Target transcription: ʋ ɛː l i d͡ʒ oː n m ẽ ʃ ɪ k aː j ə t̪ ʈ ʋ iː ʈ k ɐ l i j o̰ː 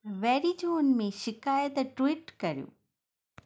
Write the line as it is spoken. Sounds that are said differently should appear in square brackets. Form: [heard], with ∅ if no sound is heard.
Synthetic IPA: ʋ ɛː [ɾ] i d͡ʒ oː n m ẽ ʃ ɪ k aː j ə t̪ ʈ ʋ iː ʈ k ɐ [ɾ] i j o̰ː